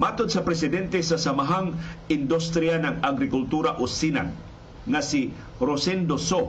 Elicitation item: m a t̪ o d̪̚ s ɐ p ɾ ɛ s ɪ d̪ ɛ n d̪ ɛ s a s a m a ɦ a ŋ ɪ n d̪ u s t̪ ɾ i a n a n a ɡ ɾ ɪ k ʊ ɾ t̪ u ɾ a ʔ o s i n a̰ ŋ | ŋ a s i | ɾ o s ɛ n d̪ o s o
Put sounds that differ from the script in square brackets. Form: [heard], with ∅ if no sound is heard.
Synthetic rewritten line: m a t̪ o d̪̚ s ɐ p ɾ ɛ s ɪ d̪ ɛ n [t̪] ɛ s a s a m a ɦ a ŋ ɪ n d̪ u s t̪ ɾ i a n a [ŋ] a ɡ ɾ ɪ k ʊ [l] t̪ u ɾ a ʔ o s i n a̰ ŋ | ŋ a s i | ɾ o s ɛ n d̪ o s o